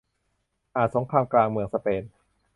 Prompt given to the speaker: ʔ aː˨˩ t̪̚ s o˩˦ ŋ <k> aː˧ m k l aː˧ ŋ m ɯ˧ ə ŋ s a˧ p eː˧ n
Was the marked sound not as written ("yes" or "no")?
yes